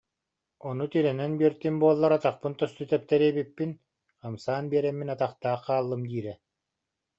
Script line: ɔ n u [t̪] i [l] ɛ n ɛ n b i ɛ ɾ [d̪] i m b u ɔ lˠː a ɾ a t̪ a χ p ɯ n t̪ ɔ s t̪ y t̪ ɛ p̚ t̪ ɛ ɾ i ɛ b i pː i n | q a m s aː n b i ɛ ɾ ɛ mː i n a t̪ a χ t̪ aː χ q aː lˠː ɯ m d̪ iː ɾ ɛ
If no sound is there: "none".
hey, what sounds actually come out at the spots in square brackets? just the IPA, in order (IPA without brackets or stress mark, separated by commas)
t̪, ɾ, t̪